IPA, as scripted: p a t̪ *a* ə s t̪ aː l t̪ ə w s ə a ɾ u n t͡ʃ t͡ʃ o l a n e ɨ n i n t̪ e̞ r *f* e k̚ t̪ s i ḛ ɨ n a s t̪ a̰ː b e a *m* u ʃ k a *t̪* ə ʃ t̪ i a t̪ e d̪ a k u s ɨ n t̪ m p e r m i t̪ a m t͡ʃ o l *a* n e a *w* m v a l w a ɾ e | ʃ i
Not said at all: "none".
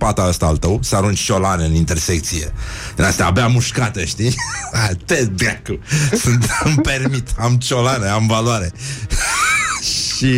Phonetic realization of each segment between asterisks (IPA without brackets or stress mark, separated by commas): a, s, m, t̪, a, none